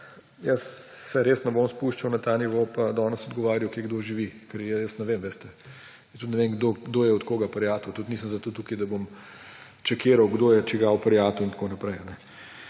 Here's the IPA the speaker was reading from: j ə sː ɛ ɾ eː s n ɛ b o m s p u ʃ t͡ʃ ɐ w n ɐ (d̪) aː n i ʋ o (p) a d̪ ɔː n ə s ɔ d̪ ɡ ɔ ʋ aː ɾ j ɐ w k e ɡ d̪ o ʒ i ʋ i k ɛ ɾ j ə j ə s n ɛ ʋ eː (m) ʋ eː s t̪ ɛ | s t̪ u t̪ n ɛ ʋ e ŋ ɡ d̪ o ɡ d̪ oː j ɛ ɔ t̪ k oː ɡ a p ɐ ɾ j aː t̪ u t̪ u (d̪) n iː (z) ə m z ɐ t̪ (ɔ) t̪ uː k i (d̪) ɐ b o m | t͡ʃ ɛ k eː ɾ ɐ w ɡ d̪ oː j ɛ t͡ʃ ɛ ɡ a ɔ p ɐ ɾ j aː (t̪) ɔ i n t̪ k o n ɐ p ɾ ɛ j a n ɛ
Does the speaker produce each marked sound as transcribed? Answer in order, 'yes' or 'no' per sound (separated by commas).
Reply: no, yes, yes, no, no, no, yes, yes